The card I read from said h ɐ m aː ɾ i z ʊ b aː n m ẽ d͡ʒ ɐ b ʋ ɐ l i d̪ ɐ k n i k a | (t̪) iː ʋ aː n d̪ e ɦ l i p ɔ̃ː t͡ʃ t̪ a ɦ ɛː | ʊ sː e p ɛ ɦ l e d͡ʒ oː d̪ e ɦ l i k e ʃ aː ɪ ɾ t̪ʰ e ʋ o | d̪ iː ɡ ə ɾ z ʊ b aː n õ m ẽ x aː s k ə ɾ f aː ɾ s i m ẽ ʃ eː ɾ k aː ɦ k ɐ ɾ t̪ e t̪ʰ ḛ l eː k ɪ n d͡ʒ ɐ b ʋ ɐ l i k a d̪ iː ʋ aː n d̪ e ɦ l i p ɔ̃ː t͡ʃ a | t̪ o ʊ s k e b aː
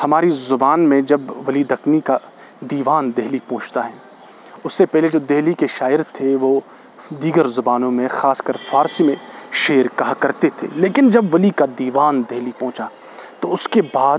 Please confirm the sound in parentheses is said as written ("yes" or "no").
no